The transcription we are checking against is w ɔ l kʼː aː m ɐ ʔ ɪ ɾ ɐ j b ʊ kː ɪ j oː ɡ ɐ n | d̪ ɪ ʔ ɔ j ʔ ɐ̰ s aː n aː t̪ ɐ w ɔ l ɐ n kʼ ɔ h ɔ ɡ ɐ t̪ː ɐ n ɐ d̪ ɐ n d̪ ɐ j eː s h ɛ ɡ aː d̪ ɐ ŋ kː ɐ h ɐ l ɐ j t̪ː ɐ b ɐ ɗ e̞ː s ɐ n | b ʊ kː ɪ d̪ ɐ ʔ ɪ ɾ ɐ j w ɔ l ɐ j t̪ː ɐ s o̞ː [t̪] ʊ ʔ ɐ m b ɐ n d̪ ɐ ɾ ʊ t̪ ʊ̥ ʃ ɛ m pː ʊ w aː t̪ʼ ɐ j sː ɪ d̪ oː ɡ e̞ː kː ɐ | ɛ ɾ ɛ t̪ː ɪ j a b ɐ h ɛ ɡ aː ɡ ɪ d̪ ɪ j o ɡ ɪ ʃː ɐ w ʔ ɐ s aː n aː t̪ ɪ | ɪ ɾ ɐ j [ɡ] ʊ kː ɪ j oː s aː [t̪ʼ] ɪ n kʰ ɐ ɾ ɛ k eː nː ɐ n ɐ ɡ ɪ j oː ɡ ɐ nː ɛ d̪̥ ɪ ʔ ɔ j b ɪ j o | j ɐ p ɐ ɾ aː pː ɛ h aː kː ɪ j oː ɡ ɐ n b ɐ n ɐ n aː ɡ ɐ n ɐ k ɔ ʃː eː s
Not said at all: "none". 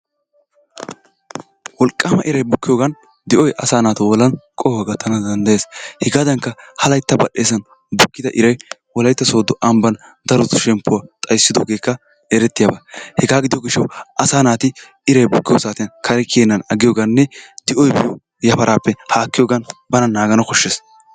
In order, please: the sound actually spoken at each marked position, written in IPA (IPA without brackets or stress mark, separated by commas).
d̪, b, t̪